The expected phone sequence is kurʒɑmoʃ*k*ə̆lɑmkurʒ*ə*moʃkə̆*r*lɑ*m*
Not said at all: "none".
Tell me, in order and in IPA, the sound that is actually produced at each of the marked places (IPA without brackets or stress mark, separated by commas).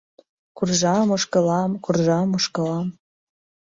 k, ɑ, none, m